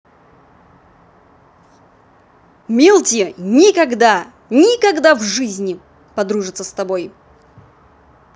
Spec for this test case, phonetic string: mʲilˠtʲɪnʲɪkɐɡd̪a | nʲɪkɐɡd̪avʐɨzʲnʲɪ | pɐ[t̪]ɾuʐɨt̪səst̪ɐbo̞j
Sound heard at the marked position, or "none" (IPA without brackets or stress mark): d̪